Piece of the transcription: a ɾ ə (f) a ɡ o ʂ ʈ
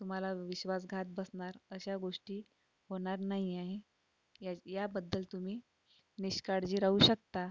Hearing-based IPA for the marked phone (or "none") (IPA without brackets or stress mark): ɕ